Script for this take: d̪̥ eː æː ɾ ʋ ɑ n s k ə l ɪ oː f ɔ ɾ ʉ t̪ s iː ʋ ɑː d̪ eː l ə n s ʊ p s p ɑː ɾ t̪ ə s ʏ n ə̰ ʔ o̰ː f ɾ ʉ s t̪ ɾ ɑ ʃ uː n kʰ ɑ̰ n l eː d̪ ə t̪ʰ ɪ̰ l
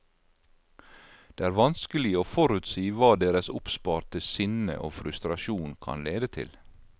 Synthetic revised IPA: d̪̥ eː æː ɾ ʋ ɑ n s k ə l ɪ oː f ɔ ɾ ʉ t̪ s iː ʋ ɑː d̪ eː ɾ ə s ʊ p s p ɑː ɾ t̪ ə s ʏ n ə̰ ʔ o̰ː f ɾ ʉ s t̪ ɾ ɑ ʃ uː n kʰ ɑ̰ n l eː d̪ ə t̪ʰ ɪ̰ l